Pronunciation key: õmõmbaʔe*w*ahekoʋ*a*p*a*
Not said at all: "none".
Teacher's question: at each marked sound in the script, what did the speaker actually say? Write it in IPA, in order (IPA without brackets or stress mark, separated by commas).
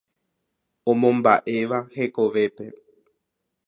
ʋ, e, e